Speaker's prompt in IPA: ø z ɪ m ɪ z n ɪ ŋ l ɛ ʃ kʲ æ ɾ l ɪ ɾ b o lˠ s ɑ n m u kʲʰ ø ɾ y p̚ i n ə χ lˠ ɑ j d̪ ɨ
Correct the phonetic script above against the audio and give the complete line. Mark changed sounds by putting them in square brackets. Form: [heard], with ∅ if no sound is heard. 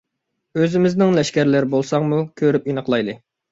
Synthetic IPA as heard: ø z ɪ m ɪ z n ɪ ŋ l ɛ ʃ kʲ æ ɾ l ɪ ɾ b o lˠ s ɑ [ŋ] m u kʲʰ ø ɾ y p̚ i n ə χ lˠ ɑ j d̪ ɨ